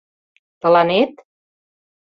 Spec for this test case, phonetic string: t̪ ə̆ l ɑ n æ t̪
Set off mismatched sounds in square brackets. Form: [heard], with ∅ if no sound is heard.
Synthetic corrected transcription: t̪ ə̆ l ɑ n [e] t̪